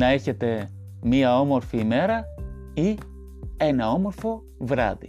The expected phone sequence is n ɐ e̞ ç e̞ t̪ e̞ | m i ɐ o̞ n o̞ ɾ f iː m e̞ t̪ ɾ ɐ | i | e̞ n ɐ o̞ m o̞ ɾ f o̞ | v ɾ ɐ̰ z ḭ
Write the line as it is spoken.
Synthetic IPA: n ɐ e̞ ç e̞ t̪ e̞ | m i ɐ o̞ m o̞ ɾ f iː m e̞ ɾ ɐ | i | e̞ n ɐ o̞ m o̞ ɾ f o̞ | v ɾ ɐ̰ ð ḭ